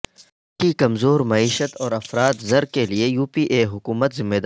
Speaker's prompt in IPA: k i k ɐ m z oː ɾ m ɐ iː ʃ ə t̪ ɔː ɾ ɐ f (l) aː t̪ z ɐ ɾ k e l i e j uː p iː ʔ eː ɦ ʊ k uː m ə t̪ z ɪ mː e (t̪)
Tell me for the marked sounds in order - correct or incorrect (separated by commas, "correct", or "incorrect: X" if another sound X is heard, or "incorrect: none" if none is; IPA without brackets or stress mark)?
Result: incorrect: ɾ, incorrect: d̪